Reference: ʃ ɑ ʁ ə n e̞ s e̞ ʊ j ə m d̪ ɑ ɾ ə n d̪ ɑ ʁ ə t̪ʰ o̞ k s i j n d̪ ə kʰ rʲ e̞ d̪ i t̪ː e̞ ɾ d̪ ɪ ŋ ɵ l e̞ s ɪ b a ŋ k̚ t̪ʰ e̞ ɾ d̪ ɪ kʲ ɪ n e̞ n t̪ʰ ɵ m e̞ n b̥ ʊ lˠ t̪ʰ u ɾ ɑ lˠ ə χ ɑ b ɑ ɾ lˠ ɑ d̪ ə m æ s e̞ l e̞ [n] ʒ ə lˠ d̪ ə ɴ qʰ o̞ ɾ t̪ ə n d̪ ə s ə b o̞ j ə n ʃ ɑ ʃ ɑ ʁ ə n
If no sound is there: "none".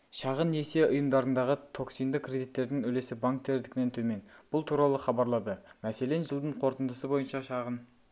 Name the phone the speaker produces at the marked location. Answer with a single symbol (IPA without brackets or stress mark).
n